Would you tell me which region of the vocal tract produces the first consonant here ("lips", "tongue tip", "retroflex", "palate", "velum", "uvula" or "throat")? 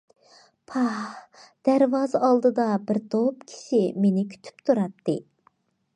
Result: lips